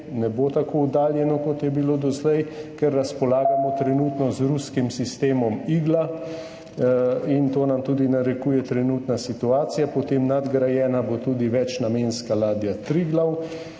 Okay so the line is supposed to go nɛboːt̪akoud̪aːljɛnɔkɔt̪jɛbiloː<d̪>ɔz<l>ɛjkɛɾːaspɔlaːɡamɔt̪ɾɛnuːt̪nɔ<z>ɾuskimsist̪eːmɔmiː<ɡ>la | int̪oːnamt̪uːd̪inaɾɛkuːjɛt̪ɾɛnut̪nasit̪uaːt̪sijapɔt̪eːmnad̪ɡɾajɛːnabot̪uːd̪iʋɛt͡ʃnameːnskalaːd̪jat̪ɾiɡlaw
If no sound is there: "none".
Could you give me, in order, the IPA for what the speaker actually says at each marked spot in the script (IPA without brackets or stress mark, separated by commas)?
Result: d̪, l, z, ɡ